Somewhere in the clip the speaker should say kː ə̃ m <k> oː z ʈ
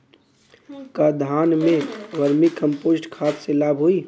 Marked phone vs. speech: incorrect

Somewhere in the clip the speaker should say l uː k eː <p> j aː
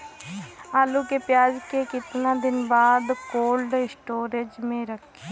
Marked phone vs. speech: correct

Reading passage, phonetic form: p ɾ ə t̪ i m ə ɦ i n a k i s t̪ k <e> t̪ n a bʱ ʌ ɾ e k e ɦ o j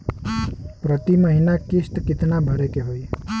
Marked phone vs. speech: incorrect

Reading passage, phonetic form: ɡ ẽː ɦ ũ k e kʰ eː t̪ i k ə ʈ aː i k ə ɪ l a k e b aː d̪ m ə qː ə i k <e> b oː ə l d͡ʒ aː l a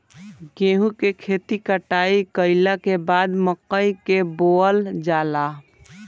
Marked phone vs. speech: correct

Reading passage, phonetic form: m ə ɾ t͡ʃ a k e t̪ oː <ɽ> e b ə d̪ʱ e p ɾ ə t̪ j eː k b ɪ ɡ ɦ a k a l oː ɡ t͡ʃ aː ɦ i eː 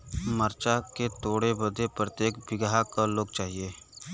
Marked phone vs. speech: correct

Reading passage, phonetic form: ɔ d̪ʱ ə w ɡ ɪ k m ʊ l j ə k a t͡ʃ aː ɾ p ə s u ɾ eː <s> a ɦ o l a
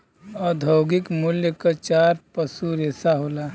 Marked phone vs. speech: correct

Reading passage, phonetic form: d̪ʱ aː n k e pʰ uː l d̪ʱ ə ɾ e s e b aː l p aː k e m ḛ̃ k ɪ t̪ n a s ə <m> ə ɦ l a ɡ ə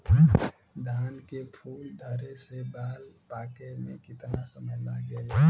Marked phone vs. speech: correct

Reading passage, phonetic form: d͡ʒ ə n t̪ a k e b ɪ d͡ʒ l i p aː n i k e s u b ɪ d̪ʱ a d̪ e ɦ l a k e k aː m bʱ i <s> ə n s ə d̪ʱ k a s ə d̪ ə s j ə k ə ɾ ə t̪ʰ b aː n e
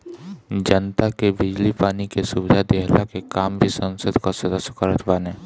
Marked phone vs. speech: correct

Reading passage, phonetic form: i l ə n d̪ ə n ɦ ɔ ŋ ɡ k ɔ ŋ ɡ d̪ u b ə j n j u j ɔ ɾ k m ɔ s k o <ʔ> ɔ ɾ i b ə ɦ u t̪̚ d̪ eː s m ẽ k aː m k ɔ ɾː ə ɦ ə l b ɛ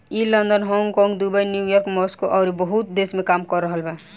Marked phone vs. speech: correct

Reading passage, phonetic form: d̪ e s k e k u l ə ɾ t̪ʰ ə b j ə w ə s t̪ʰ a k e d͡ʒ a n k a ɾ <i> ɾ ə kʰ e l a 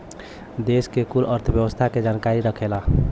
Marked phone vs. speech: correct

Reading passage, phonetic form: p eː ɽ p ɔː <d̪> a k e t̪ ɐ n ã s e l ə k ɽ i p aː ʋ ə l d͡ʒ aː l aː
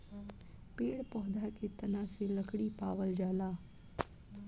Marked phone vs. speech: correct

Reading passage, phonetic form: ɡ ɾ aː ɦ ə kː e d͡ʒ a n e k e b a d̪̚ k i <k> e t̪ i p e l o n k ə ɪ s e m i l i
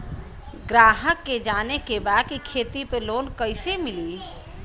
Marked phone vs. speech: incorrect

